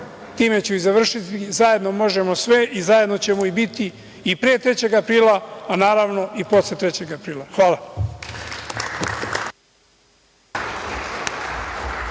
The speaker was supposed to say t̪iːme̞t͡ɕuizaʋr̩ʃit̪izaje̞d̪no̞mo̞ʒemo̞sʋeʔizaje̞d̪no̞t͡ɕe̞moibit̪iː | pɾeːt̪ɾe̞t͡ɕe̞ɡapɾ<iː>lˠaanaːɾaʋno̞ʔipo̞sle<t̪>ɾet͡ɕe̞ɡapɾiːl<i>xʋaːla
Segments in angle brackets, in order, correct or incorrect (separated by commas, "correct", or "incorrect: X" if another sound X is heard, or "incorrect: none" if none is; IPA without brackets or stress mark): correct, correct, incorrect: a